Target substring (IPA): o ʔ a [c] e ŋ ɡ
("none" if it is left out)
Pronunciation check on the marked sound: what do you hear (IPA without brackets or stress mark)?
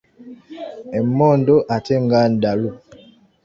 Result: t